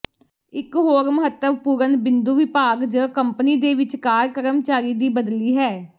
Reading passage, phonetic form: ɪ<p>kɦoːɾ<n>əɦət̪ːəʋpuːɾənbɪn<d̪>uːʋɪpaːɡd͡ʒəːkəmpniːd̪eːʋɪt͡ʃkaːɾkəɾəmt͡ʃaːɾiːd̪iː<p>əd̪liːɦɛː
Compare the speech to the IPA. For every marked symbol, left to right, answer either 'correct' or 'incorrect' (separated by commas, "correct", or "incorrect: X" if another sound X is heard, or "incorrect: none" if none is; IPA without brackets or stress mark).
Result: incorrect: none, incorrect: m, correct, incorrect: b